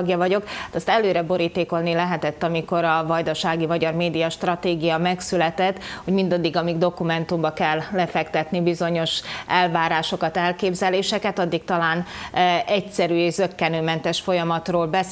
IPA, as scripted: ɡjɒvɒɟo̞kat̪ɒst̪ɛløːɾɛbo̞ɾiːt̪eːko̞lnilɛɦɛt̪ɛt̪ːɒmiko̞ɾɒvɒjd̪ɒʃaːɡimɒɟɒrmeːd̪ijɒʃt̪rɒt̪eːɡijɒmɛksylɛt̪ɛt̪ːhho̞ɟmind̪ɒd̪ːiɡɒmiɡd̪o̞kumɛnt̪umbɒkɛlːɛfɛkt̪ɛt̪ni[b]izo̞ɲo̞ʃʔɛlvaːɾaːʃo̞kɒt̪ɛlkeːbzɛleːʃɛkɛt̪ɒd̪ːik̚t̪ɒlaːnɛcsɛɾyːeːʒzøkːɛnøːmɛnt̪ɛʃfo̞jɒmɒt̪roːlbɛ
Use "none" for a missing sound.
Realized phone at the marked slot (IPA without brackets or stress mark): b